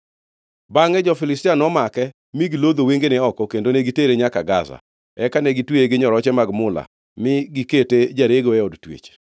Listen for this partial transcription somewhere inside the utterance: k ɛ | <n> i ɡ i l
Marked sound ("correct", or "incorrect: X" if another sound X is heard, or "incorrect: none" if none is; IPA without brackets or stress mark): incorrect: m